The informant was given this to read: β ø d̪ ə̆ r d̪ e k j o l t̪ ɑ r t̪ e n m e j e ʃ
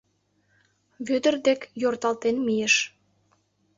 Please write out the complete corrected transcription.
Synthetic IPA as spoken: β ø d̪ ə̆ r d̪ e k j o r t̪ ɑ l t̪ e n m i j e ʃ